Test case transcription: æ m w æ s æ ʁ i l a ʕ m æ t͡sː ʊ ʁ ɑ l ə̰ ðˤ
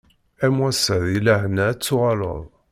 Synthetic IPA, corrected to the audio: æ m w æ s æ ð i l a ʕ n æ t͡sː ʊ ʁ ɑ l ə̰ ðˤ